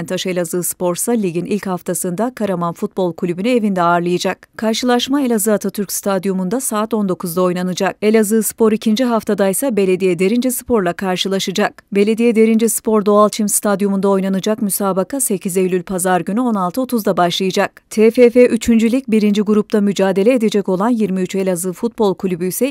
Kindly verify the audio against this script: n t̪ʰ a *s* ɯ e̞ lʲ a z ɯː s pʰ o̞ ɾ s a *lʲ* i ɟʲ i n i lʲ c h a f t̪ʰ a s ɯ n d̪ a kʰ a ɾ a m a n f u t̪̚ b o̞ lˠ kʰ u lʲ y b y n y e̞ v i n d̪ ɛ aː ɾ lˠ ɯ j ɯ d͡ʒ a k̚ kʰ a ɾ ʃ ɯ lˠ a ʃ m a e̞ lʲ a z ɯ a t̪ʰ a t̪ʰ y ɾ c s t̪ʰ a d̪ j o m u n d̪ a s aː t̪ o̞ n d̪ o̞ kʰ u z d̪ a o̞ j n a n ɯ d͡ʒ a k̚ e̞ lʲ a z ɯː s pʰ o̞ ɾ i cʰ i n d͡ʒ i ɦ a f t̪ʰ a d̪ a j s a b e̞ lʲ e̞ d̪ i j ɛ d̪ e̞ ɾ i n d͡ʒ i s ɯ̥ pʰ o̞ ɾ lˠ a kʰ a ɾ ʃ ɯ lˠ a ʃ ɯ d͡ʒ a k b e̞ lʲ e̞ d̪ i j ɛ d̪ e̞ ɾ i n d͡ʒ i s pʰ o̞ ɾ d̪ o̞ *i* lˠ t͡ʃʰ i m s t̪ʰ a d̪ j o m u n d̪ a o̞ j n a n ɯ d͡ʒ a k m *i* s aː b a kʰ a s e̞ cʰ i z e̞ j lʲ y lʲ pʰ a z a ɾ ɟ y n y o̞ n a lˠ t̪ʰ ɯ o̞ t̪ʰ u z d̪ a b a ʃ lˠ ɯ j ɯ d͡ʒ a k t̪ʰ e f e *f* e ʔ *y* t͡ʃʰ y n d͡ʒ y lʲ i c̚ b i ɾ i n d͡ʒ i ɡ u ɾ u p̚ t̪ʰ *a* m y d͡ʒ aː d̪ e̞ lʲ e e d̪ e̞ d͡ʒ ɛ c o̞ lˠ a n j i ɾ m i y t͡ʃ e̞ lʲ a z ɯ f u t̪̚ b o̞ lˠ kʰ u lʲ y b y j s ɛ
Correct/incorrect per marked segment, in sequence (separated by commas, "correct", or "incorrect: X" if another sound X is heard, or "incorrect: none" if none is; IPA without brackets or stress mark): incorrect: ʃ, correct, incorrect: a, incorrect: y, correct, correct, correct